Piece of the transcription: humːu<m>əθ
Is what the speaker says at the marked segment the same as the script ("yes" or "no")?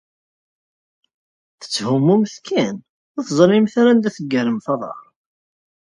yes